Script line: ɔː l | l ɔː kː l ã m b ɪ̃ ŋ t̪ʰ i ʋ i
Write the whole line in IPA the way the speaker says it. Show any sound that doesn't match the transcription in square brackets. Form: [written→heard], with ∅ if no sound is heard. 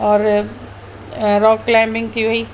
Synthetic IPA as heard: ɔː [l→ɾ] | [l→ɾ] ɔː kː l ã m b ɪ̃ ŋ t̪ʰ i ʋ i